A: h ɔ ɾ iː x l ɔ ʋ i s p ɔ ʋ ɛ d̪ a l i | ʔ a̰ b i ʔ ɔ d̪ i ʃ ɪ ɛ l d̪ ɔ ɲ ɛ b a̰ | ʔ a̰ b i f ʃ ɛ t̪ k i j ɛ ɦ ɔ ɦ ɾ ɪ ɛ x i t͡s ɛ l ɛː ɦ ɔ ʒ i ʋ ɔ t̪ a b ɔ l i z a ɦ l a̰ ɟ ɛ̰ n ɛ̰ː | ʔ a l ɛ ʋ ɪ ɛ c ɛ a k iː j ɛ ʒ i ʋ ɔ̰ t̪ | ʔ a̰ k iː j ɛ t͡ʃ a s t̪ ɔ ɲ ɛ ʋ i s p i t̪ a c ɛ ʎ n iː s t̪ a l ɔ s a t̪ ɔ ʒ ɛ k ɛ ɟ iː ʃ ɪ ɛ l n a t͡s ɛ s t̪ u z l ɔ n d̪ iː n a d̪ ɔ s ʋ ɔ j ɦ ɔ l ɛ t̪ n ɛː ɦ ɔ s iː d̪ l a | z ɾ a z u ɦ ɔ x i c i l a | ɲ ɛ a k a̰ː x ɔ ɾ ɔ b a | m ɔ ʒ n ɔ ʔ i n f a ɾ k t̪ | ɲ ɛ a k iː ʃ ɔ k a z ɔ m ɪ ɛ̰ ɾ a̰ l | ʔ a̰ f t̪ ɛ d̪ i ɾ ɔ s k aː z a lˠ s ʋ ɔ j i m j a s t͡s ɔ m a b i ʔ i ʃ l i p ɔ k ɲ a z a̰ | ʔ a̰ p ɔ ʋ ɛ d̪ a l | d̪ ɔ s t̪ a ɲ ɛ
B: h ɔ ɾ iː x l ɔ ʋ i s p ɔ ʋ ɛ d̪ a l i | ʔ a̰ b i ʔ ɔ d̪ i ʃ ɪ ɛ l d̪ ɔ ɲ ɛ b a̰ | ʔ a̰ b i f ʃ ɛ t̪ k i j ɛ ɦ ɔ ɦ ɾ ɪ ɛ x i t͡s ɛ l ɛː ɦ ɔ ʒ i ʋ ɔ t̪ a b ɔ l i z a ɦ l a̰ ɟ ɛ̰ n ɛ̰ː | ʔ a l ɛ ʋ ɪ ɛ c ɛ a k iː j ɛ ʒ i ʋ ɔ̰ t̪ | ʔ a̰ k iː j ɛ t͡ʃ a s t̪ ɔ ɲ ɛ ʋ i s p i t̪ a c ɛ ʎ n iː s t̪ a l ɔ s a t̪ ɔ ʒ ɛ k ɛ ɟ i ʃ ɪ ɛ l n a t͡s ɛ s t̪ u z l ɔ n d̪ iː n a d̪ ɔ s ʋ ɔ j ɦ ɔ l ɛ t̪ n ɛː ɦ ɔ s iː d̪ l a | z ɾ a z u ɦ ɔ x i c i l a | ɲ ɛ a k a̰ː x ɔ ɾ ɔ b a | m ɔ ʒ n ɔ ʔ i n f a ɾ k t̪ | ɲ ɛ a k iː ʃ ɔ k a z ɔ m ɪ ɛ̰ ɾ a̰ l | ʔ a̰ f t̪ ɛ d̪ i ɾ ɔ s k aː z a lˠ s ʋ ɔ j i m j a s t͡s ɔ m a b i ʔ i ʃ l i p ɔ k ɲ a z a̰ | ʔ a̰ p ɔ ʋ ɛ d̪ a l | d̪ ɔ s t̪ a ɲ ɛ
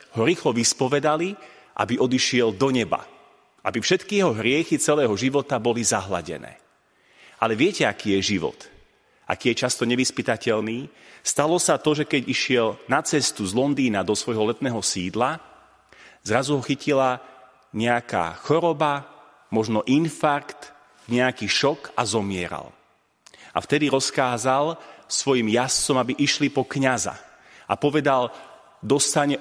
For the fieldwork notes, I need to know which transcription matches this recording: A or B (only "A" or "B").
B